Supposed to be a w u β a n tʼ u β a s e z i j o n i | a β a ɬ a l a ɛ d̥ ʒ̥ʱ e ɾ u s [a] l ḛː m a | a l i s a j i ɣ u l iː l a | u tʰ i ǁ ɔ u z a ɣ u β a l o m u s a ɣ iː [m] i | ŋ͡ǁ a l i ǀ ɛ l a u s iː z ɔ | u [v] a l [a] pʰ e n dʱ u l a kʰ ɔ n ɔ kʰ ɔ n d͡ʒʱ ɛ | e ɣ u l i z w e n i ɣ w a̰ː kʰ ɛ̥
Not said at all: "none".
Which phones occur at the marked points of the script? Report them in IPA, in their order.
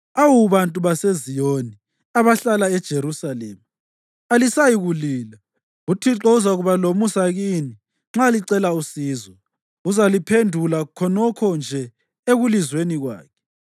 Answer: a, n, z, i

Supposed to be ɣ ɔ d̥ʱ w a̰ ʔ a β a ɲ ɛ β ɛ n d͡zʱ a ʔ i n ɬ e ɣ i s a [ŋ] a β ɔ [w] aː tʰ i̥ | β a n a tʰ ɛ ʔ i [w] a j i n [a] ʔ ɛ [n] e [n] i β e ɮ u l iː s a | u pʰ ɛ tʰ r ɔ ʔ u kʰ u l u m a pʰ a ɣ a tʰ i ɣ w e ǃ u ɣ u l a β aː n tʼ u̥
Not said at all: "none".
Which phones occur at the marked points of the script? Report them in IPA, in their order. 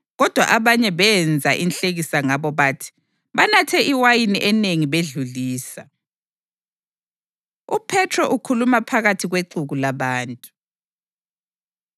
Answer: ŋ, β, w, i, n, ŋ

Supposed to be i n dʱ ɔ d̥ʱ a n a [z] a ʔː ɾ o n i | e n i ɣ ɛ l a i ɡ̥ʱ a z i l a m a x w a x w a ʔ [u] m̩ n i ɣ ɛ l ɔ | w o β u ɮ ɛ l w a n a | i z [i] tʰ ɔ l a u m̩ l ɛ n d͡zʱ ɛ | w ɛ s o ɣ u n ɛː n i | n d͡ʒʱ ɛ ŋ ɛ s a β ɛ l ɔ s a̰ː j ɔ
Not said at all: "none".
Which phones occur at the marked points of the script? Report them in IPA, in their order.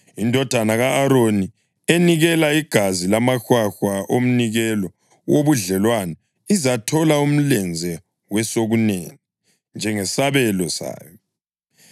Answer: ɣ, o, a

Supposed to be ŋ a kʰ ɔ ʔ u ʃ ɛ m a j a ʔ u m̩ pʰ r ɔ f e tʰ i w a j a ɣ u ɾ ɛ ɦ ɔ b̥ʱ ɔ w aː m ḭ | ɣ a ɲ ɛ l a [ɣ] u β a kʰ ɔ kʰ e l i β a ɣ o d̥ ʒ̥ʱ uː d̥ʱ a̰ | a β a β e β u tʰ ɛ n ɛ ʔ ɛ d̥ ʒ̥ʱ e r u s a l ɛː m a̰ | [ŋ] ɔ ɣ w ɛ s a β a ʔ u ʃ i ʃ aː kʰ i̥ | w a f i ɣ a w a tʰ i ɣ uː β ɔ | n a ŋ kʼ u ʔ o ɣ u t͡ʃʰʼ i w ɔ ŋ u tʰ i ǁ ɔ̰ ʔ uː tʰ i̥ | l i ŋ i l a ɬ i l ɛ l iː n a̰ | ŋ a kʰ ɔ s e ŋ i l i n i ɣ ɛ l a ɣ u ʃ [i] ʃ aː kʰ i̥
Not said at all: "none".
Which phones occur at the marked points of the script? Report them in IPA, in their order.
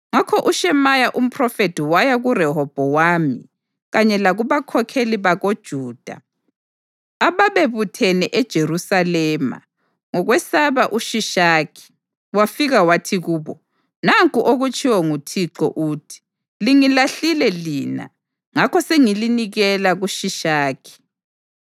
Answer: ɣ, ŋ, i

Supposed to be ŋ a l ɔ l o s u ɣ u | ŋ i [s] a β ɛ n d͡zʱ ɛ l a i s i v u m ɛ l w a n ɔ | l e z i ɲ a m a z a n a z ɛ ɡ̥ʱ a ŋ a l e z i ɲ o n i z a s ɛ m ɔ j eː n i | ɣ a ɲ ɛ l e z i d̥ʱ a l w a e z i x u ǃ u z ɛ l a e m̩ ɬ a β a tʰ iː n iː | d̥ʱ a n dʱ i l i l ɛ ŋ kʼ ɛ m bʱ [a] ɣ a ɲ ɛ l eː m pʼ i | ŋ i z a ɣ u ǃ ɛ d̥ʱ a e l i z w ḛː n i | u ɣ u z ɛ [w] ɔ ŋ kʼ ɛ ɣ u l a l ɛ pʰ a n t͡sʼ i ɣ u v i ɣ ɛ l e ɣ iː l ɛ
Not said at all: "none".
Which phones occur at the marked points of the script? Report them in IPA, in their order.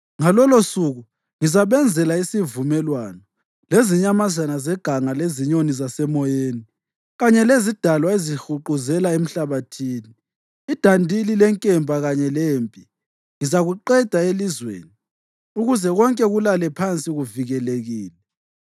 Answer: z, a, ɣ

